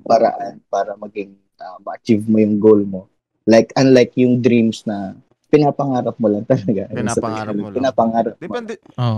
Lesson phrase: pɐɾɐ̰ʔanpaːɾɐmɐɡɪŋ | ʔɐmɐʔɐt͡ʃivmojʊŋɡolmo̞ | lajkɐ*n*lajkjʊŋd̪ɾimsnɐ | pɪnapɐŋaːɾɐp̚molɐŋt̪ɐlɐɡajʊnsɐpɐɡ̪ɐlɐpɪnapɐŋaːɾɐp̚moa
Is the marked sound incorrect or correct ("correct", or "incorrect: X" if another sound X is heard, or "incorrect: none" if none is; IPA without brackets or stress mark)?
correct